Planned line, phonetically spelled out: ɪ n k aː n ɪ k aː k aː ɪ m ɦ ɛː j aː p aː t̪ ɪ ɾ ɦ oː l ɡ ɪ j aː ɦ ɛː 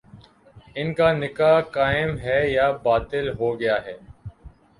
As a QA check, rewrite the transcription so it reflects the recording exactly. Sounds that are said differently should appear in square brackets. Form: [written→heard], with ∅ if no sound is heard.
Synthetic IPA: ɪ n k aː n ɪ k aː k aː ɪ m ɦ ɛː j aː [p→b] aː t̪ ɪ [ɾ→l] ɦ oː [l→∅] ɡ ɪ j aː ɦ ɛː